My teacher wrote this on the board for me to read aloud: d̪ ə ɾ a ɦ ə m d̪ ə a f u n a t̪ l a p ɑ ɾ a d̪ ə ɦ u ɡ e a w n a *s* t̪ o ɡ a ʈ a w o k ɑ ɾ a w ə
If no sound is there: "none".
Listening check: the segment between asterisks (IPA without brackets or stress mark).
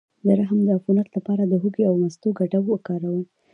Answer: s